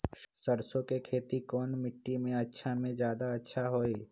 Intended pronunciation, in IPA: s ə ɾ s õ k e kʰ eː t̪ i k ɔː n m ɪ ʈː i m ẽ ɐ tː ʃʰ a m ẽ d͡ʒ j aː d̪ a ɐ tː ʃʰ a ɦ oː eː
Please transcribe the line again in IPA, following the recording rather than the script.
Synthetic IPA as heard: s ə ɾ s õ k e kʰ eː t̪ i k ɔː n m ɪ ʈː i m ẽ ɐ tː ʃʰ a m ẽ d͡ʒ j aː d̪ a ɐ tː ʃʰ a ɦ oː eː